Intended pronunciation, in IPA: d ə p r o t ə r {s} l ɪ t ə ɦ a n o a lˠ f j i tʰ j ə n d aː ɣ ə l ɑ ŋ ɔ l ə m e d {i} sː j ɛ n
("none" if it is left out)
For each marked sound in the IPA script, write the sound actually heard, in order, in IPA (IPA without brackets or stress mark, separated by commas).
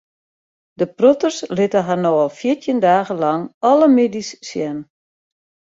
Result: s, i